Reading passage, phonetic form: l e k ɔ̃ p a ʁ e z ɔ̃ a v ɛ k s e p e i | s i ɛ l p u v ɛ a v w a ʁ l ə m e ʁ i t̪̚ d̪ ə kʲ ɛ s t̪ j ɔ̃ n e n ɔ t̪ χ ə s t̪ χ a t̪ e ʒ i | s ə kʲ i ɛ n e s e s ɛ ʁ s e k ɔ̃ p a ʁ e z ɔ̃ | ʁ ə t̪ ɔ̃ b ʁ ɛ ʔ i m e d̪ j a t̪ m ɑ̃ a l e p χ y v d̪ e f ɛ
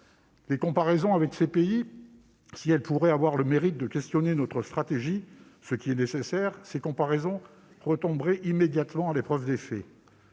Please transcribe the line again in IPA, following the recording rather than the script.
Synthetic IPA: l e k ɔ̃ p a ʁ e z ɔ̃ a v ɛ k s e p e i | s i ɛ l p u ʁ ɛ a v w a ʁ l ə m e ʁ i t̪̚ d̪ ə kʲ ɛ s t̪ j ɔ n e n ɔ t̪ χ ə s t̪ χ a t̪ e ʒ i | s ə kʲ i ɛ n e s e s ɛ ʁ s e k ɔ̃ p a ʁ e z ɔ̃ | ʁ ə t̪ ɔ̃ b ʁ ɛ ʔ i m e d̪ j a t̪ m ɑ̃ a l e p χ œ v d̪ e f ɛ